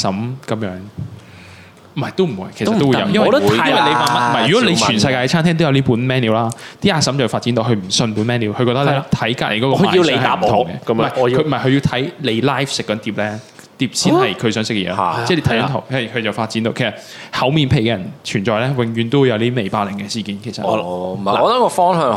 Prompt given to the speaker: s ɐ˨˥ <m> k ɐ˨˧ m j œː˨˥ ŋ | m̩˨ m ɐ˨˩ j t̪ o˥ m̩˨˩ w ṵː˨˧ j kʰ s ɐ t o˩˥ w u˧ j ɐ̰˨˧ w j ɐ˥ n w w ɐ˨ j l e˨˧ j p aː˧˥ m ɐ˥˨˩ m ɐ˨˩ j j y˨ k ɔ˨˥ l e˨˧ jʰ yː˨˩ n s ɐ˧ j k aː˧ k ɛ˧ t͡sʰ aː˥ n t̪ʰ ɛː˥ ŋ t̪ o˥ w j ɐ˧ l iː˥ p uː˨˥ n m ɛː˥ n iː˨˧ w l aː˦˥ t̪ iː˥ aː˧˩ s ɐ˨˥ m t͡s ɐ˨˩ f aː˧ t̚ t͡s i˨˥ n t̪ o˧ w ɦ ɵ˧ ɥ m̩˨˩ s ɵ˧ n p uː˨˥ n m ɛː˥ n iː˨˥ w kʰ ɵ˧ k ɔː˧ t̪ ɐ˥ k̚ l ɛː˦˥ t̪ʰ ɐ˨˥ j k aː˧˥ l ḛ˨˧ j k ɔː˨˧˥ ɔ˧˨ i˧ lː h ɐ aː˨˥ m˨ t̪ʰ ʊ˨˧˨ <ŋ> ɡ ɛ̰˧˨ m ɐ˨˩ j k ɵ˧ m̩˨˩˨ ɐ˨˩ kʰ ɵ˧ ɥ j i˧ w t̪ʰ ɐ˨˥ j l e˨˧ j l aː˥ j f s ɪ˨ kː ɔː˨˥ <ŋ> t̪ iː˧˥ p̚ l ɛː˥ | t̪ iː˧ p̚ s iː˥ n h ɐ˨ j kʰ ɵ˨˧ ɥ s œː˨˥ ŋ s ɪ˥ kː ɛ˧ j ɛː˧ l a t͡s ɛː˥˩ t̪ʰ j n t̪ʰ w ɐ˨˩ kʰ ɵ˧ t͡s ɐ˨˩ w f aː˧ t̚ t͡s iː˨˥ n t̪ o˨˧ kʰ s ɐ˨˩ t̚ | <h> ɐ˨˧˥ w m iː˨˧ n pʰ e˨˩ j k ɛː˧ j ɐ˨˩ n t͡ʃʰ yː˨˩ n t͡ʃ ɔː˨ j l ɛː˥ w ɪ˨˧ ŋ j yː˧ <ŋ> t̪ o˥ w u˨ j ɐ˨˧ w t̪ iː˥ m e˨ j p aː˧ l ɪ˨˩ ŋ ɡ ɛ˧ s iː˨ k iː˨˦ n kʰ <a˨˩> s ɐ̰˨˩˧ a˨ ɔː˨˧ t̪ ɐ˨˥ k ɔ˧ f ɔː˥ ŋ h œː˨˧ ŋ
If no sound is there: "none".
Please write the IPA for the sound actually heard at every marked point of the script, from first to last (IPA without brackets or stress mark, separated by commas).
m, ŋ, n, h, n, e˨˩